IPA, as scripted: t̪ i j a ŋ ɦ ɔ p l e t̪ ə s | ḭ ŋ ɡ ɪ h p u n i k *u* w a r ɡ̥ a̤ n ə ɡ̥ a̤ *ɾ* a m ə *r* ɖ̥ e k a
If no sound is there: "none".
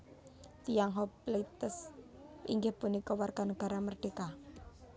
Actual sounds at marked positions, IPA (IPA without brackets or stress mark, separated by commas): ɔ, ɾ, r